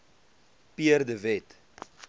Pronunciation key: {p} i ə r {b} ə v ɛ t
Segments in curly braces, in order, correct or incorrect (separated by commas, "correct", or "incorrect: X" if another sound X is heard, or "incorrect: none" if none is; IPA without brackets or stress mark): correct, incorrect: d